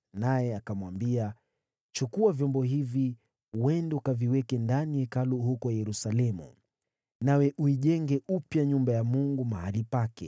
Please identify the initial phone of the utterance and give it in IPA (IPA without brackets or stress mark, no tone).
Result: n